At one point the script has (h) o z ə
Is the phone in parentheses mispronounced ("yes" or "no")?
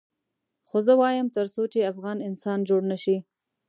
yes